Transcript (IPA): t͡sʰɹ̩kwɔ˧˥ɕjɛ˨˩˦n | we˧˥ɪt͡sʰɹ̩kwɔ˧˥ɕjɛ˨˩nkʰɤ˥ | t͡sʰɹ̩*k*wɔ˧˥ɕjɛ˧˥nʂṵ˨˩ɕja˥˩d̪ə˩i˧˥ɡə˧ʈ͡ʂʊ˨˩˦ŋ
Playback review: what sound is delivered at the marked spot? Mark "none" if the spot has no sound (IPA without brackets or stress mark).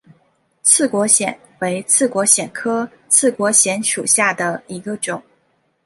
k